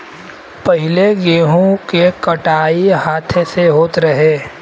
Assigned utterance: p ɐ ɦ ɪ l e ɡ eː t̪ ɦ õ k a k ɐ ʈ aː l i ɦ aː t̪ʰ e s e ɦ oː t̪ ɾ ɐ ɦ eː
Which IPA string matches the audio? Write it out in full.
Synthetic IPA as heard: p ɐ ɦ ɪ l e ɡ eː ɦ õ k e k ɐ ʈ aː i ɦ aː t̪ʰ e s e ɦ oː t̪ ɾ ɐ ɦ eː